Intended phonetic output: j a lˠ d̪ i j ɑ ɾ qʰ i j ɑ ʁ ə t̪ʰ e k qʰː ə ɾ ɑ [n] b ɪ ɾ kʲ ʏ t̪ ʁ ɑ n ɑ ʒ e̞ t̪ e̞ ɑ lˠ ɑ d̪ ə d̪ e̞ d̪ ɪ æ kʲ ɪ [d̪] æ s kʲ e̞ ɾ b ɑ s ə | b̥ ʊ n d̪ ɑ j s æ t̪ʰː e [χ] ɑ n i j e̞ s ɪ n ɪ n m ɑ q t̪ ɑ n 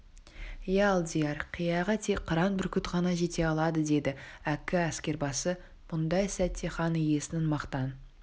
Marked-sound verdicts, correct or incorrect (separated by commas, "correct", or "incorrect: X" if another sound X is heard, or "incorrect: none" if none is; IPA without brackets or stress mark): correct, incorrect: none, correct